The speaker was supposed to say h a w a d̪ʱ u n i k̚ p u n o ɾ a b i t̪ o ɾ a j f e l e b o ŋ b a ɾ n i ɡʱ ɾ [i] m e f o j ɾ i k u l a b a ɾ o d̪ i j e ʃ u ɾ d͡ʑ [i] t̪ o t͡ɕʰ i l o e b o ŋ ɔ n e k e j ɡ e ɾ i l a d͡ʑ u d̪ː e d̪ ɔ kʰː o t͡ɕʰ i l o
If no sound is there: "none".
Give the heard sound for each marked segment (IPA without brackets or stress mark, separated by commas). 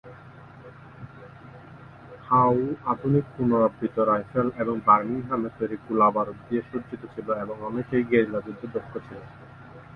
a, i